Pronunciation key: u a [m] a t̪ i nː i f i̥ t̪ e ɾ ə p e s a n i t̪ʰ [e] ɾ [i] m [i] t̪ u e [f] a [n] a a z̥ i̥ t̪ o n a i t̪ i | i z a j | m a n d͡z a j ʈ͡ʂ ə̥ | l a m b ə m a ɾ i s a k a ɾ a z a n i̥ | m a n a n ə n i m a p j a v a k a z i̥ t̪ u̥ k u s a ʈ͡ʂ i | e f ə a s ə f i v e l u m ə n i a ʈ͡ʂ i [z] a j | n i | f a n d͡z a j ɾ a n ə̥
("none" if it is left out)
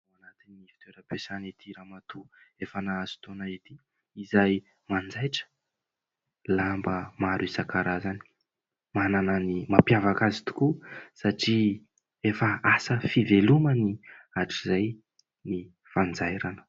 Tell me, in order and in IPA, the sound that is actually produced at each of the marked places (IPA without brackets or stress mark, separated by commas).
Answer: n, i, a, a, f, n, z